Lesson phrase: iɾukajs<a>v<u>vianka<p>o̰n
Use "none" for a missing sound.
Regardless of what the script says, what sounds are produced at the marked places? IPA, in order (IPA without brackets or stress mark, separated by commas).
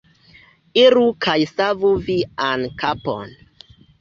a, u, p